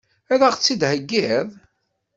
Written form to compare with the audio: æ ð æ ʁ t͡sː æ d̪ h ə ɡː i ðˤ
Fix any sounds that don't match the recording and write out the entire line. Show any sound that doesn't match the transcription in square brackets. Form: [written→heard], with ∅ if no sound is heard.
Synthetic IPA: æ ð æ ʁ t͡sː [æ→i] d̪ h ə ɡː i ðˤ